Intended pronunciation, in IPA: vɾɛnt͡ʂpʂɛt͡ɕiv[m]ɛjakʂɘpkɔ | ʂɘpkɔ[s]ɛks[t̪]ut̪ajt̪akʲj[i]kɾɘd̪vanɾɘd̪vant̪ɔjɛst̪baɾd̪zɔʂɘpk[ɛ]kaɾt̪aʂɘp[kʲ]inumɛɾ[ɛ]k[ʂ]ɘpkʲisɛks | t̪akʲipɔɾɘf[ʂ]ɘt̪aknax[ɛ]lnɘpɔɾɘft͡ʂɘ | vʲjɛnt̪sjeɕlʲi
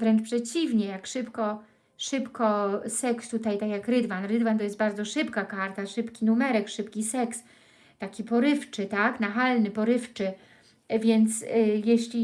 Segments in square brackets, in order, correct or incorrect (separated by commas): incorrect, correct, correct, incorrect, incorrect, correct, correct, correct, incorrect, incorrect